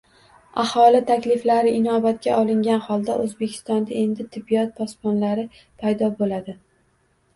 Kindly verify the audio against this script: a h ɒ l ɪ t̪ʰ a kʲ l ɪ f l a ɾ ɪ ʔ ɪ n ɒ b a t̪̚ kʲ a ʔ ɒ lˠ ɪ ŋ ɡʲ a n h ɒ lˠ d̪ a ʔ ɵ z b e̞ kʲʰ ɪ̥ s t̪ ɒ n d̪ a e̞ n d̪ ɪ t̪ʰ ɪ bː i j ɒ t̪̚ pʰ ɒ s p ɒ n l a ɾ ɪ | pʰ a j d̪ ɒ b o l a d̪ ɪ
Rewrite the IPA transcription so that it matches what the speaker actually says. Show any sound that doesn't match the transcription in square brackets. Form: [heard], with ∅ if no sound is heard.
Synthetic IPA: a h ɒ l ɪ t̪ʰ a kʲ l ɪ f l a ɾ ɪ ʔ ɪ n ɒ b a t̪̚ kʲ a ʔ ɒ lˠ ɪ ŋ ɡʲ a n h ɒ lˠ d̪ a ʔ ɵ z b e̞ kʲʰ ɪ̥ s t̪ ɒ n d̪ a e̞ n d̪ ɪ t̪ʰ ɪ bː i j ɒ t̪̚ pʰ ɒ s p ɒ n l a ɾ ɪ | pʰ a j d̪ ɒ b o l a d̪ ɪ